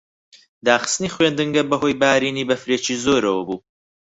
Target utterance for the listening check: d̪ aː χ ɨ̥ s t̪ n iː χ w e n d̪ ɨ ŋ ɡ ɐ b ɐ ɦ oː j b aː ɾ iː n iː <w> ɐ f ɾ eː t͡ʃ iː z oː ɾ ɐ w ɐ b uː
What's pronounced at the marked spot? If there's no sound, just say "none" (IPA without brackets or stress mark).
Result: b